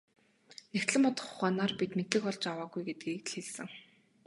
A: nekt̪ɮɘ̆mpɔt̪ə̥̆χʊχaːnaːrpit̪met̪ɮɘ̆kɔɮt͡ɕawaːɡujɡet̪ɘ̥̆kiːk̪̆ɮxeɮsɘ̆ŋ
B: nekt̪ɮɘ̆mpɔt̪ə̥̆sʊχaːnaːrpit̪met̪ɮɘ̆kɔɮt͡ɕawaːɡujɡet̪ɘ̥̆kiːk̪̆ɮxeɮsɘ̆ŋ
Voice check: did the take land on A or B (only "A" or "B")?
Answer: A